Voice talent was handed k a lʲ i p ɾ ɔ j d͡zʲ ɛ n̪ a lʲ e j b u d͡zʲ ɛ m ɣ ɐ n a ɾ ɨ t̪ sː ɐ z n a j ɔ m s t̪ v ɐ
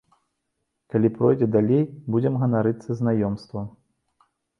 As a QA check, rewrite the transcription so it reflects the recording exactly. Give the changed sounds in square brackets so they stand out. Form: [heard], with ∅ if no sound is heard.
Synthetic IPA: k a lʲ i p ɾ ɔ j d͡zʲ ɛ [d̪] a lʲ e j b u d͡zʲ ɛ m ɣ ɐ n a ɾ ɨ t̪ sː ɐ z n a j ɔ m s t̪ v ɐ